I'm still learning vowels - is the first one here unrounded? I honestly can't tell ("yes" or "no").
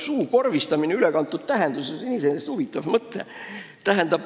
no